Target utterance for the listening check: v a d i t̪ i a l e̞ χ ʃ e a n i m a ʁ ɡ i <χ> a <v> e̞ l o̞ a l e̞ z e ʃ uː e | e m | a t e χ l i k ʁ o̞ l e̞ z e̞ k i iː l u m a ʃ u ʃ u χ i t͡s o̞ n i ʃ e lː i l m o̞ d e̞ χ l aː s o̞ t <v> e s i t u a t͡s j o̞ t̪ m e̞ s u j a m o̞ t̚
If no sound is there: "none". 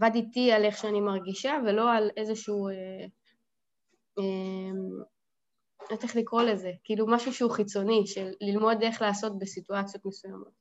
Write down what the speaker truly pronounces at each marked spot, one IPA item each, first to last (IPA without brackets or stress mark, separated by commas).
ʃ, v, b